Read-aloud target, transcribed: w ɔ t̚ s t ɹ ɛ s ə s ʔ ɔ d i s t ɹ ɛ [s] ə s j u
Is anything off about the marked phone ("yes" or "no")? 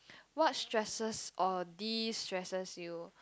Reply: no